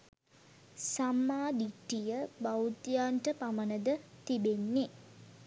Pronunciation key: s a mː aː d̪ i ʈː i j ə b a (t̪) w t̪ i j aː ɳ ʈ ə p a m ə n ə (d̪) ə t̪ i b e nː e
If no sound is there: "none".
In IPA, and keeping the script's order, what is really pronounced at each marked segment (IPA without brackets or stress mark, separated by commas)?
none, d̪